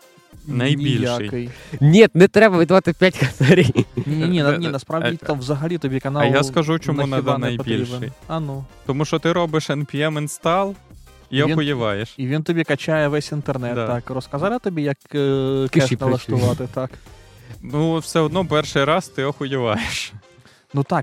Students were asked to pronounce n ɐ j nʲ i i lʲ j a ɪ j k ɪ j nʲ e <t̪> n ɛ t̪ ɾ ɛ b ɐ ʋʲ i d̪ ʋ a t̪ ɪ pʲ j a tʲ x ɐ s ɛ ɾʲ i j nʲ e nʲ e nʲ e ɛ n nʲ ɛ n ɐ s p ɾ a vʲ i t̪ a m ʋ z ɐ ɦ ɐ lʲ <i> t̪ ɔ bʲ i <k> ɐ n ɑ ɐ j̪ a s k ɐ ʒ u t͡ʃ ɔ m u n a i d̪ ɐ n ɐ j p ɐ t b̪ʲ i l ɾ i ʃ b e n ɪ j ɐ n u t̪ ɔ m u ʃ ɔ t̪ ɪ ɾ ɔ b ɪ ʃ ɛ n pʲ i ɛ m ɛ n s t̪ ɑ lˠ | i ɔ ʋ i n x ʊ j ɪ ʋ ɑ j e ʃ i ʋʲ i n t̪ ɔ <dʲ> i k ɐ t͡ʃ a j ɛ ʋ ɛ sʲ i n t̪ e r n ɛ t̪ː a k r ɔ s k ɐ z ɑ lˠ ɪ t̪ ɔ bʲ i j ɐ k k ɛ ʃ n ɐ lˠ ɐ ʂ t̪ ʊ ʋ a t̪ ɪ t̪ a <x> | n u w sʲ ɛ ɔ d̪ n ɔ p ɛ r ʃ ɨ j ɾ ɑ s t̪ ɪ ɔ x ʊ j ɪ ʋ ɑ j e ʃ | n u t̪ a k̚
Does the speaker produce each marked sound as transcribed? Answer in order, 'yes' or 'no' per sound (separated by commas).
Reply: yes, yes, yes, no, no